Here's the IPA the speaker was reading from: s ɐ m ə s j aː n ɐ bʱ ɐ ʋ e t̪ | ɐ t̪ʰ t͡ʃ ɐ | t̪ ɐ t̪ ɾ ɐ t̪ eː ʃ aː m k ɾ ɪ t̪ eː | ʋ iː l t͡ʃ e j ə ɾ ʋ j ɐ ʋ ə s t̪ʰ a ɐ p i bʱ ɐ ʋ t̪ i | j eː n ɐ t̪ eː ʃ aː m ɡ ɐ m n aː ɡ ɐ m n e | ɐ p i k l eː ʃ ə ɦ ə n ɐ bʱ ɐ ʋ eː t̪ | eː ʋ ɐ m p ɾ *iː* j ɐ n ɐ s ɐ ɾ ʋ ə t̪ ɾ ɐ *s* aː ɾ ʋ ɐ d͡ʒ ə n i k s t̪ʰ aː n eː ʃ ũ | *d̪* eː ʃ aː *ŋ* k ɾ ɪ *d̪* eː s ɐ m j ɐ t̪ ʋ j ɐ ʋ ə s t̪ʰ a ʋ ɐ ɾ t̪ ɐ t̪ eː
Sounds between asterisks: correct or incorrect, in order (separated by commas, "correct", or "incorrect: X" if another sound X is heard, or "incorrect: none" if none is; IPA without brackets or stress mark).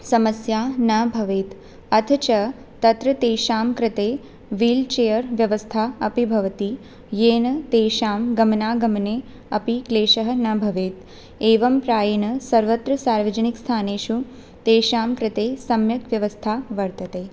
incorrect: aː, correct, incorrect: t̪, incorrect: m, incorrect: t̪